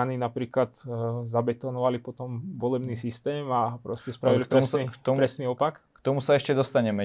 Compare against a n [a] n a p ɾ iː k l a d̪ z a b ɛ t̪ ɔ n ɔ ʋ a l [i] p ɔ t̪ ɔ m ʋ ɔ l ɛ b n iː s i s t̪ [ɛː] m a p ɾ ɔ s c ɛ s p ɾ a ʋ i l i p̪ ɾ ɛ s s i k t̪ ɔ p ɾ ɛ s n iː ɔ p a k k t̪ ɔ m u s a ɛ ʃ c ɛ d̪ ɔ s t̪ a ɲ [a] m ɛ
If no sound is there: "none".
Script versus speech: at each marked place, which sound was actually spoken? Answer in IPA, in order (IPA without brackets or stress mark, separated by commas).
i, i, ɛː, ɛ